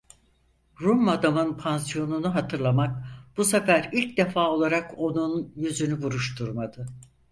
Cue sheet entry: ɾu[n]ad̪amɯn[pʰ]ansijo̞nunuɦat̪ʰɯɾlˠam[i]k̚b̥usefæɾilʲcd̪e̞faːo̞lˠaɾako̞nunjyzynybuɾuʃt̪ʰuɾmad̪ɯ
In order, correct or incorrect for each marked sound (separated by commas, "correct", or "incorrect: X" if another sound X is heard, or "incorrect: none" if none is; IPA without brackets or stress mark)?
incorrect: m, correct, incorrect: a